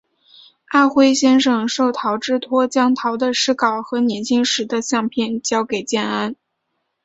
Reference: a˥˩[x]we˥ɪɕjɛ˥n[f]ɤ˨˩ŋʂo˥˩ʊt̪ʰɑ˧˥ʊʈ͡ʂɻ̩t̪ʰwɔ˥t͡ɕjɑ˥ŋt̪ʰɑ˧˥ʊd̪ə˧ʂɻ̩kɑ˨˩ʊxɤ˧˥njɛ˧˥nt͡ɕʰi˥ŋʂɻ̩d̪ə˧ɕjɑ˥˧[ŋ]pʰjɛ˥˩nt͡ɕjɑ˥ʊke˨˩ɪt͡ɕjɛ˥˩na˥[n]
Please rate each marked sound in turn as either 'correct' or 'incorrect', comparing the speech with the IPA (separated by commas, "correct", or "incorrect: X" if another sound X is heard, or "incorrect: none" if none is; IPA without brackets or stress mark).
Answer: correct, incorrect: ʂ, correct, correct